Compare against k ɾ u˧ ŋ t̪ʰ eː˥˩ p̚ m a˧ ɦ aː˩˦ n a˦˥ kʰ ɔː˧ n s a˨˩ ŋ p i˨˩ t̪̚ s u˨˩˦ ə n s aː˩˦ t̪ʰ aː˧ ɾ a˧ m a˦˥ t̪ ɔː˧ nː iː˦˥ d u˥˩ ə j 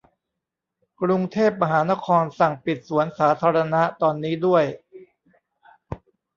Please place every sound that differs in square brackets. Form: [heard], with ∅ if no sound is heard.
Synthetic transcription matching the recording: k ɾ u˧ ŋ t̪ʰ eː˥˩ p̚ m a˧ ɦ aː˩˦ n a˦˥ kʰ ɔː˧ n s a˨˩ ŋ p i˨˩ t̪̚ s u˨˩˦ ə n s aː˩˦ t̪ʰ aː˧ ɾ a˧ [n] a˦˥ t̪ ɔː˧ nː iː˦˥ d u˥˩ ə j